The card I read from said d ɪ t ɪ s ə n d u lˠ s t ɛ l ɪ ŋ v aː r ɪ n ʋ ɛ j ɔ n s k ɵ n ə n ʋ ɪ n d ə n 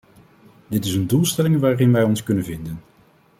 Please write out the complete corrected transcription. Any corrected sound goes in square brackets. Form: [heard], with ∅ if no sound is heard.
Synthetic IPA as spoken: d ɪ t ɪ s ə n d u lˠ s t ɛ l ɪ ŋ [ʋ] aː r ɪ n ʋ ɛ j ɔ n s k ɵ n ə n [v] ɪ n d ə n